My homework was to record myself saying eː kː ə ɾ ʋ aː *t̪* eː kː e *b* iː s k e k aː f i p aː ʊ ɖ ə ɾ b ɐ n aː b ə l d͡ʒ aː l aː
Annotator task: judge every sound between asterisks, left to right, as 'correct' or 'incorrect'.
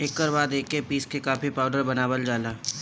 incorrect: d̪, incorrect: p

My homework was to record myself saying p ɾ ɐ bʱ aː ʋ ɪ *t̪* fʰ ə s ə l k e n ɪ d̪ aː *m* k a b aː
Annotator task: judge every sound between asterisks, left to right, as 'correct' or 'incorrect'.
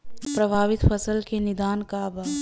correct, incorrect: n

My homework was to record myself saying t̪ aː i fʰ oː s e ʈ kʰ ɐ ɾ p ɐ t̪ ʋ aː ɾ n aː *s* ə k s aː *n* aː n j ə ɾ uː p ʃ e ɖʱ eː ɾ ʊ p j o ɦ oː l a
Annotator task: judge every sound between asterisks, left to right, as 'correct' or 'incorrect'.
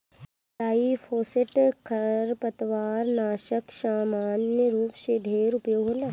incorrect: ʃ, incorrect: m

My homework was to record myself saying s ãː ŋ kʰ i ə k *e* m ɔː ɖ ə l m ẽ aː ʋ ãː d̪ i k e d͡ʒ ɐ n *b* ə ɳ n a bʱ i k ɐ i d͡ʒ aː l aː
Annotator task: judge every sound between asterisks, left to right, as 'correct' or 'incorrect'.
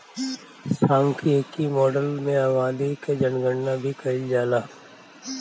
incorrect: i, incorrect: ɡ

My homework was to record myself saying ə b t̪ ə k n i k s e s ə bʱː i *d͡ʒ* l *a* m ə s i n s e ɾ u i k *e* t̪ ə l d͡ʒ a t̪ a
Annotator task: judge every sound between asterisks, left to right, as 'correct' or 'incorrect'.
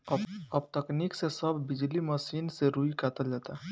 correct, incorrect: i, incorrect: a

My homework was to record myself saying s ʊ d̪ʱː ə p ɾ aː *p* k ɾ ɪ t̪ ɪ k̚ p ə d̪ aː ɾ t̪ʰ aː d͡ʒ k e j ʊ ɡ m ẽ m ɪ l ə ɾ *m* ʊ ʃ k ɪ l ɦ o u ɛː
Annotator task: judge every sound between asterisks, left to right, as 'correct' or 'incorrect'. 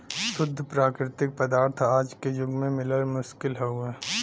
incorrect: none, correct

